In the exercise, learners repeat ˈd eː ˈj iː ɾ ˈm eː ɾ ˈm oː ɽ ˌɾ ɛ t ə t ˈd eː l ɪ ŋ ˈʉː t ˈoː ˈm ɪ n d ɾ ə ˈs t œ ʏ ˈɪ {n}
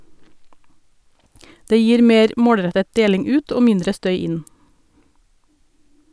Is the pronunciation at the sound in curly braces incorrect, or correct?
correct